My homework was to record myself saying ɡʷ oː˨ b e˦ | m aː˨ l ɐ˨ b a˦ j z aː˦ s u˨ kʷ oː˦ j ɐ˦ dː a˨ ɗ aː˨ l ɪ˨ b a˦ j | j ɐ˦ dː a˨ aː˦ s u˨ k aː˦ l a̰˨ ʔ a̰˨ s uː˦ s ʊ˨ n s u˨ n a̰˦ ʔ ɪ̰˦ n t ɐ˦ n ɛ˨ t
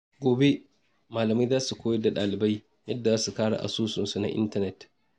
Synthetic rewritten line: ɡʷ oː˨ b e˦ | m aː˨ l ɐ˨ m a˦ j z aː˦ s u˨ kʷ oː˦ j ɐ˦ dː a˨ ɗ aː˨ l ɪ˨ b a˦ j | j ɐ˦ dː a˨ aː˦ s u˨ k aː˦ ɽ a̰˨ ʔ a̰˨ s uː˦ s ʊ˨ n s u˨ n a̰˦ ʔ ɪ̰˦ n t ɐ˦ n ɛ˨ t